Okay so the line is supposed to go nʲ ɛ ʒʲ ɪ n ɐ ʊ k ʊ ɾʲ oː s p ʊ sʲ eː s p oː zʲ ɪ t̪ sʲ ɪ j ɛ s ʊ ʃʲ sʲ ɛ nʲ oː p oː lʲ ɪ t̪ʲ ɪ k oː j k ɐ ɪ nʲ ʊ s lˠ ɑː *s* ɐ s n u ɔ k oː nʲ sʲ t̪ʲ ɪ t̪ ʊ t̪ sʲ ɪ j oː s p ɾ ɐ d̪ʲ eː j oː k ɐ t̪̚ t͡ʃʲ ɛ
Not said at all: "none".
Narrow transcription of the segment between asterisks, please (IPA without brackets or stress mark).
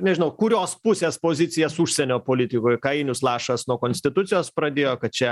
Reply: ʃ